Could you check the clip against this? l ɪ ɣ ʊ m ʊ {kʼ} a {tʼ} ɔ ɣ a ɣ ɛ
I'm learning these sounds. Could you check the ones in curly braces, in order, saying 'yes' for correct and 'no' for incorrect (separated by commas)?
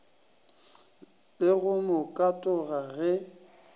yes, yes